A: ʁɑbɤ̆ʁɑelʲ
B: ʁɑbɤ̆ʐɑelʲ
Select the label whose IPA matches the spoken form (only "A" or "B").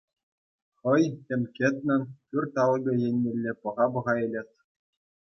A